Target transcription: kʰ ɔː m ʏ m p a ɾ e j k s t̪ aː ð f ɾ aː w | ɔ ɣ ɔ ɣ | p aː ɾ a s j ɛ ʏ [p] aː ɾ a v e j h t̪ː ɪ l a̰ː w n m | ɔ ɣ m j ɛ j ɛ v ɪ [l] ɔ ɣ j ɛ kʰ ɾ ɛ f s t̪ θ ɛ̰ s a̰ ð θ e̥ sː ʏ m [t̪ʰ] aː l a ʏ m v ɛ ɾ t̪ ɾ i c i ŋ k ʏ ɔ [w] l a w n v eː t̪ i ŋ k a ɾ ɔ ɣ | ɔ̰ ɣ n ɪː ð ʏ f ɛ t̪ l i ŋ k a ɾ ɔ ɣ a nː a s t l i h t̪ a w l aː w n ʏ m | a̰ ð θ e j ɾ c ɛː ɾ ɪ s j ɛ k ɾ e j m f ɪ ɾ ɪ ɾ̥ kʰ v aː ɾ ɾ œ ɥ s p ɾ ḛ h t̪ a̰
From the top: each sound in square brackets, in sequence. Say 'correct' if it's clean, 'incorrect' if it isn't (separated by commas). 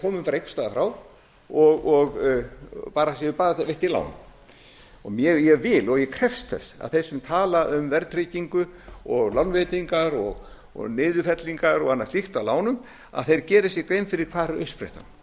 correct, correct, correct, incorrect